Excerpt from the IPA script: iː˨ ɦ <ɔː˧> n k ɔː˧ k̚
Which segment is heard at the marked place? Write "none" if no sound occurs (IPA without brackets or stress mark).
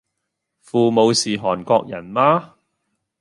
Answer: ɔː˨˩